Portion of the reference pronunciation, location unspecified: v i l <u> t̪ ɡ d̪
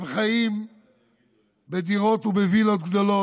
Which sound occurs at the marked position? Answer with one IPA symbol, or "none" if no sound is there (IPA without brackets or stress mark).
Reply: o